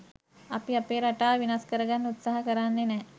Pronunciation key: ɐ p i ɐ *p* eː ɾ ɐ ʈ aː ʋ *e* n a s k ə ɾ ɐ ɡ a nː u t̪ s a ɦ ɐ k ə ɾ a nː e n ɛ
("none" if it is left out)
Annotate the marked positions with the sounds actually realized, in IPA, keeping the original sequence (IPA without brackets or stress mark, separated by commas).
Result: p, i